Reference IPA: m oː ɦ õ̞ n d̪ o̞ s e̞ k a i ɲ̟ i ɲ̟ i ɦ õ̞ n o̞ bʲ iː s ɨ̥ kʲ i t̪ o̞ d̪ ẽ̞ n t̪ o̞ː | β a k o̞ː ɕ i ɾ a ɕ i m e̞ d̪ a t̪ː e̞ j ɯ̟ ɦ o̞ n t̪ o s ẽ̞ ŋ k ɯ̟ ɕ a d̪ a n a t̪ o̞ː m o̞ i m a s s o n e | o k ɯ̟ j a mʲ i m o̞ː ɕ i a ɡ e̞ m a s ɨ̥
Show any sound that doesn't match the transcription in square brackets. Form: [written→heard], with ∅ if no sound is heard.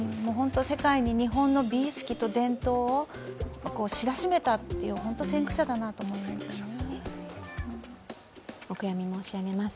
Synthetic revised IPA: m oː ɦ õ̞ n [d̪→t̪] o̞ s e̞ k a i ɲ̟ i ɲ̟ i ɦ õ̞ [n→nː] o̞ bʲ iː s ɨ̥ kʲ i t̪ o̞ d̪ ẽ̞ n t̪ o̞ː | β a k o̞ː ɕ i ɾ a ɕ i m e̞ [d̪→t̪] a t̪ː e̞ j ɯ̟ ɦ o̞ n t̪ o s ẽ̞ ŋ k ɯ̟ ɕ a d̪ a n a t̪ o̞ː m o̞ i m a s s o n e | o k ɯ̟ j a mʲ i m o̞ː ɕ i a ɡ e̞ m a s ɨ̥